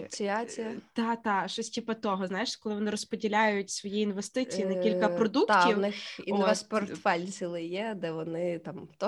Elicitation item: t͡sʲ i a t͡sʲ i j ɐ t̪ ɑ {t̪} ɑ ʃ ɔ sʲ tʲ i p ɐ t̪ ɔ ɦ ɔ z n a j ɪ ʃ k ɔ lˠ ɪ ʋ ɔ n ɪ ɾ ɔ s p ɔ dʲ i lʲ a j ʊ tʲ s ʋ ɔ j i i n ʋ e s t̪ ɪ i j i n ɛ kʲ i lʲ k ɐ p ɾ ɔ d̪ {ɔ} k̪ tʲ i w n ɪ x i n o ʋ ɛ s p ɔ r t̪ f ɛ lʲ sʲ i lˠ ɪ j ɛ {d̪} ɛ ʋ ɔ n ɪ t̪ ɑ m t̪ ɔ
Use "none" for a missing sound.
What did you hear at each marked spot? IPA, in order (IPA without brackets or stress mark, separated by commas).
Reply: t̪, u, d̪